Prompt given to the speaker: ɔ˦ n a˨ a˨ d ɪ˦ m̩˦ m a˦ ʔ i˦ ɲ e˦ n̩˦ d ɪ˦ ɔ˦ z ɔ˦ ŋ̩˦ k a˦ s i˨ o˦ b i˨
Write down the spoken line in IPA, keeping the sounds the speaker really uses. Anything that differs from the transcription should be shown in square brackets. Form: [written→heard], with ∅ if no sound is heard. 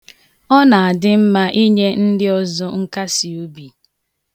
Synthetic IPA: ɔ˦ n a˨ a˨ d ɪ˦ m̩˦ m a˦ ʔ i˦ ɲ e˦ n̩˦ d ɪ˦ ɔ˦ z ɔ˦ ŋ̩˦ k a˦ s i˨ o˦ b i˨